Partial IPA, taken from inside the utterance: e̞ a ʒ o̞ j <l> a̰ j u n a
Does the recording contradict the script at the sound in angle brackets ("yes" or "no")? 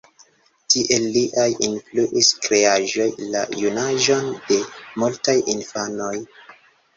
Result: no